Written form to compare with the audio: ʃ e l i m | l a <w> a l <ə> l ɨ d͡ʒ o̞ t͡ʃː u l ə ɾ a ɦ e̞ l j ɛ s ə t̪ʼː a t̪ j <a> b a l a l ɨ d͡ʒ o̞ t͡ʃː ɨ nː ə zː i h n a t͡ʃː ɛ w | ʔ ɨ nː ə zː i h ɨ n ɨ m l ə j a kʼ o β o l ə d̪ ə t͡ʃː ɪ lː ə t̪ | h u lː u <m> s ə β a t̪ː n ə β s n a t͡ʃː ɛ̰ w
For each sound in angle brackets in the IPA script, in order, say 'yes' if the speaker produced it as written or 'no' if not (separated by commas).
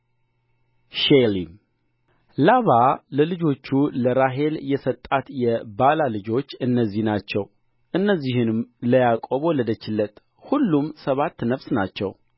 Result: no, yes, no, yes